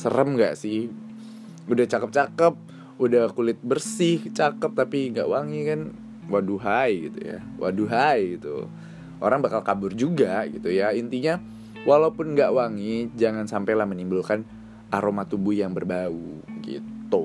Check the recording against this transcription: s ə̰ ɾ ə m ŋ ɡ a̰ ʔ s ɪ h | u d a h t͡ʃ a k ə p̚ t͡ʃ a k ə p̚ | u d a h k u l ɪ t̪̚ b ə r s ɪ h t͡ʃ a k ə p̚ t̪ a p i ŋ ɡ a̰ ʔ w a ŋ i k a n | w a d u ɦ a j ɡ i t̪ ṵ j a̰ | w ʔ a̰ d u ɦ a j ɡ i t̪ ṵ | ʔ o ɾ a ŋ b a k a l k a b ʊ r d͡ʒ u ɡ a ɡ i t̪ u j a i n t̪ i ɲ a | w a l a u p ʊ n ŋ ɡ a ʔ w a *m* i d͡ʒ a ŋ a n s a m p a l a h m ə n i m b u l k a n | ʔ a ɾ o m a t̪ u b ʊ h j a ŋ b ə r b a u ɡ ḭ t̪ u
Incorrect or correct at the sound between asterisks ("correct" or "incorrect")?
incorrect